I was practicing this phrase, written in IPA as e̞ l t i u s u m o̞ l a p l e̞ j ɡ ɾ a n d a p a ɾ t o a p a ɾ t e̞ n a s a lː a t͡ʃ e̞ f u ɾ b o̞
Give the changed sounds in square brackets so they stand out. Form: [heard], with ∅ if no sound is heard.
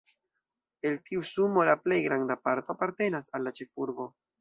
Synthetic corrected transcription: e̞ l t i u s u m o̞ l a p l e̞ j ɡ ɾ a n d a p a ɾ t o a p a ɾ t e̞ n a s a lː a t͡ʃ e̞ f u ɾ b o̞